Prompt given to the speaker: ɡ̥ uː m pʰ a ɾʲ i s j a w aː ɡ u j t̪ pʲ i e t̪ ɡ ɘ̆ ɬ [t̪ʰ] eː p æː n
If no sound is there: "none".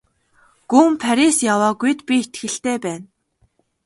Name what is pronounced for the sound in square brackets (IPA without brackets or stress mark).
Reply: t̪